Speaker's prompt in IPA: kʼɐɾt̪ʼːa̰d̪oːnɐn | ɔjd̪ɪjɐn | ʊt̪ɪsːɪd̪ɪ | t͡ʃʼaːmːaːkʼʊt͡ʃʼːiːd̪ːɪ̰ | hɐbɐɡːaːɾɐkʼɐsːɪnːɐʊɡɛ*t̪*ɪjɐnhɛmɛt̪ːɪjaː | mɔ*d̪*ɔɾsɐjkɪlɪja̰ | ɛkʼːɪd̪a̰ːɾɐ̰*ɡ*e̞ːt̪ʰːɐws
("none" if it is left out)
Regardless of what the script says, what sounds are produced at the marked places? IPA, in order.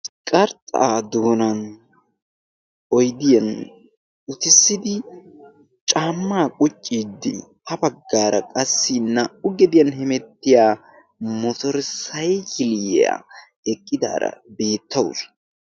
d̪, t̪, b

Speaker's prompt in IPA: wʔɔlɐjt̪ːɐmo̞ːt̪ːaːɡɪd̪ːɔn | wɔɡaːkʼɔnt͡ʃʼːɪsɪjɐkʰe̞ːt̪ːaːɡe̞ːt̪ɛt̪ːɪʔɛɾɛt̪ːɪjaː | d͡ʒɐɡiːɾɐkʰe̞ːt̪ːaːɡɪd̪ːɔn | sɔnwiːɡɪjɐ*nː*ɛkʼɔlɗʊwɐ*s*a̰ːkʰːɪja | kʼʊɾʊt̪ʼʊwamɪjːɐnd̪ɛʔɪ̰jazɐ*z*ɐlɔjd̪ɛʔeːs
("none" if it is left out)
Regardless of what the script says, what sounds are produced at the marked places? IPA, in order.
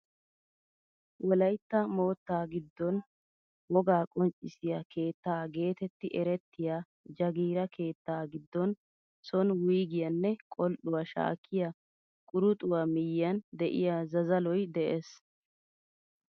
nː, ʃ, z

